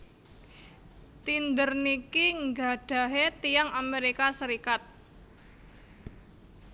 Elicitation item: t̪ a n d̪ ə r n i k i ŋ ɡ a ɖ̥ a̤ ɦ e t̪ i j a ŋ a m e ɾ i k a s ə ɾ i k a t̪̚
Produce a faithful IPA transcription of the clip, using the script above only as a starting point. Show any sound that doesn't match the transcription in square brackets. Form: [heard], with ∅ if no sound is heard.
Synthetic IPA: t̪ [i] n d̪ ə r n i k i ŋ ɡ a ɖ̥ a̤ ɦ e t̪ i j a ŋ a m e ɾ i k a s ə ɾ i k a t̪̚

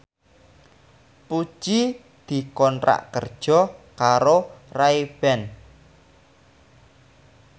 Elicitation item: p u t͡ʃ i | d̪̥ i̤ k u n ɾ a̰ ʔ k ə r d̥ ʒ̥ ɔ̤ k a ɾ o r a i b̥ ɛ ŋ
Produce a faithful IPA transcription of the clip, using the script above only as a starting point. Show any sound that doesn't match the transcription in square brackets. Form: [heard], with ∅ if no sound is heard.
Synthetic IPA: p u t͡ʃ i | d̪̥ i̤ k [ɔ] n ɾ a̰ ʔ k ə r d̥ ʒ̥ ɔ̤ k a ɾ o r a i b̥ ɛ [n]

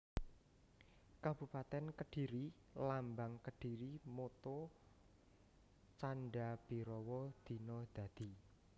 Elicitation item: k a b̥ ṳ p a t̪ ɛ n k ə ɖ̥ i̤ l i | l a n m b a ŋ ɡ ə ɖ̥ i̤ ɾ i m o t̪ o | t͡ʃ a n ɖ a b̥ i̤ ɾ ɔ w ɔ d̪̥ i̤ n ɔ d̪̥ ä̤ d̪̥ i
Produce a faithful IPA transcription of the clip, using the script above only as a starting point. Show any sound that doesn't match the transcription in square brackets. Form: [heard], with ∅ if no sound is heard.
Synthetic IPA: k a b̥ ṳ p a t̪ ɛ n k ə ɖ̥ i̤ [ɾ] i | l a [∅] m b a ŋ [k] ə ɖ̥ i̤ ɾ i m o t̪ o | t͡ʃ a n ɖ a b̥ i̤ ɾ ɔ w ɔ d̪̥ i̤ n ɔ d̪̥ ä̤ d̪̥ i

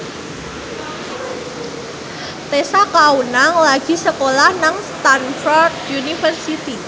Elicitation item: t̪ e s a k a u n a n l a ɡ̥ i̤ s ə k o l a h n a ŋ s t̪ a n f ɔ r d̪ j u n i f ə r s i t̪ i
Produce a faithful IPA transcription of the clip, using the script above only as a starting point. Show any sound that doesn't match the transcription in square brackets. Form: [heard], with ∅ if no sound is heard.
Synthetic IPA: t̪ e s a k a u n a [ŋ] l a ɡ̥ i̤ s ə k o l a h n a ŋ s t̪ a n f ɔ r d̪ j u n i f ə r s i t̪ i

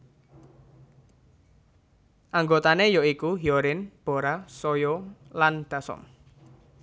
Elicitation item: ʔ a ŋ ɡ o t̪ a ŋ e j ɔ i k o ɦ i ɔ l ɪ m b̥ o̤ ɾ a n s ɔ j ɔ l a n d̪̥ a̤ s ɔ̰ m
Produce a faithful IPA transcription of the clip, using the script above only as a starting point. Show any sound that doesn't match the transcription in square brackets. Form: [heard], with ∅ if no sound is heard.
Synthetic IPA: ʔ a ŋ ɡ o t̪ a [n] e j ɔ i k [u] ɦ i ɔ [ɾ] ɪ [n] b̥ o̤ ɾ a [∅] s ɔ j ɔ l a n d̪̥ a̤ s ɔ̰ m

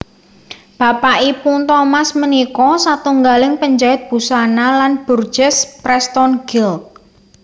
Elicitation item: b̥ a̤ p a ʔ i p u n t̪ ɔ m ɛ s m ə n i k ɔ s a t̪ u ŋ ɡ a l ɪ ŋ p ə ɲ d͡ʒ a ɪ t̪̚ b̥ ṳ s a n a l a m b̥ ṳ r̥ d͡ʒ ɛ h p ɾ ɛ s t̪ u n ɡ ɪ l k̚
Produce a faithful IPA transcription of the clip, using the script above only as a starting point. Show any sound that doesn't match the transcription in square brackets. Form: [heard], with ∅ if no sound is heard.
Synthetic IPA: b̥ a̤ p a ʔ i p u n t̪ ɔ m [a] s m ə n i k ɔ s a t̪ u ŋ ɡ a l ɪ ŋ p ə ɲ d͡ʒ a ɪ t̪̚ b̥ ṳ s a n a l a [n] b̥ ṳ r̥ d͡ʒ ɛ [s] p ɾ ɛ s t̪ [ɔ] n ɡ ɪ l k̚

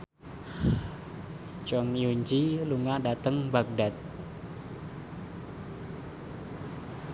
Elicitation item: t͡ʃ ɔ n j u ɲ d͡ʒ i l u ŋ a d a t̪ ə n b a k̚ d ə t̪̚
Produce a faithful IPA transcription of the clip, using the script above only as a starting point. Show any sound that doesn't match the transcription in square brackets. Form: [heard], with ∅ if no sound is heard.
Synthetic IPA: t͡ʃ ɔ [ŋ] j u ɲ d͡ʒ i l u ŋ a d a t̪ ə [ŋ] b a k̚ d [a] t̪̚

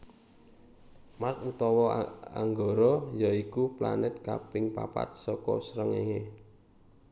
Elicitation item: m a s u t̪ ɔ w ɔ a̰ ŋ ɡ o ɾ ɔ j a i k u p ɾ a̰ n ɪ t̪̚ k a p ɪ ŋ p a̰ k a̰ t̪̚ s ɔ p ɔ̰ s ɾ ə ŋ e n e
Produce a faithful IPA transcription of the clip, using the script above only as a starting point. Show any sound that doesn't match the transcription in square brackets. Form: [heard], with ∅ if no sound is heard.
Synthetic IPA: m a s u t̪ ɔ w ɔ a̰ ŋ ɡ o ɾ ɔ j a i k u p [l] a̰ n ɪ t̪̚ k a p ɪ ŋ p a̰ [p] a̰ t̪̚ s ɔ [k] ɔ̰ s ɾ ə ŋ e [ŋ] e

